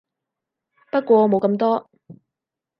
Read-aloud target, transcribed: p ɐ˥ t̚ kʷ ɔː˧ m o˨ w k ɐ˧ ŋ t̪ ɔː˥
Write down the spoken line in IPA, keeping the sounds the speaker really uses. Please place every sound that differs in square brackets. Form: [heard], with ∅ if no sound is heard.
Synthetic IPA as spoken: p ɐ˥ t̚ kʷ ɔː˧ m o˨ w k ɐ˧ [m] t̪ ɔː˥